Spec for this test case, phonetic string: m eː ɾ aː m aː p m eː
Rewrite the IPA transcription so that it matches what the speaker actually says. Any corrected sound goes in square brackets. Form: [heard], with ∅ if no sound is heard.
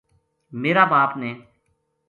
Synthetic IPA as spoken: m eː ɾ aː [b] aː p [n] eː